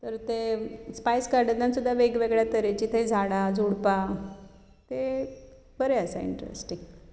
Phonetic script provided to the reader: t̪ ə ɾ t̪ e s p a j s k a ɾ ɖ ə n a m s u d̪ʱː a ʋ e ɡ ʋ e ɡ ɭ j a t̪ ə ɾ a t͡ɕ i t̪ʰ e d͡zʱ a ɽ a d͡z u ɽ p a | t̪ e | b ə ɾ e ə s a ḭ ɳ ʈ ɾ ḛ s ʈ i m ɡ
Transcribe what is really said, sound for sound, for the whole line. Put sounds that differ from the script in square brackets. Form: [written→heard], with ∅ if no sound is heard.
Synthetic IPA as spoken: t̪ ə ɾ t̪ e s p a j s k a ɾ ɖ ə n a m s u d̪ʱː a ʋ e ɡ ʋ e ɡ ɭ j a t̪ ə ɾ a t͡ɕ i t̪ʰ e d͡zʱ a ɽ a d͡z u ɽ p a | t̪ e | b ə ɾ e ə s a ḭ ɳ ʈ ɾ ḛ s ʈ i [m→ŋ] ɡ